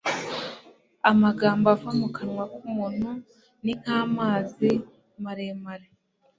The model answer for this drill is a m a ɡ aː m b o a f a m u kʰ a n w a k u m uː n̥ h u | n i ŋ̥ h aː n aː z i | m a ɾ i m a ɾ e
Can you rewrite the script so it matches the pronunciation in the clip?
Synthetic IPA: a m a ɡ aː m b o a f a m u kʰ a n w a k u m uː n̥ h u | n i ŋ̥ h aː m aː z i | m a ɾ e m a ɾ e